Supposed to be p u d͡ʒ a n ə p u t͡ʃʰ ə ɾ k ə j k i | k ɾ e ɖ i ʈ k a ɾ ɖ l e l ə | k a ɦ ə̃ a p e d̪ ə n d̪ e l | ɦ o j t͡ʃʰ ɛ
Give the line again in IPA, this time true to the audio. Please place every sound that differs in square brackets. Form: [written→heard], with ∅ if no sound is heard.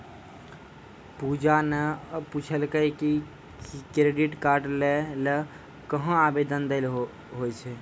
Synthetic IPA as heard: p u d͡ʒ a n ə p u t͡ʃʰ ə [ɾ→l] k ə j k i | k ɾ e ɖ i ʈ k a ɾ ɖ l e l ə | k [a→ə] ɦ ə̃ a [p→b] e d̪ ə n d̪ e l | ɦ o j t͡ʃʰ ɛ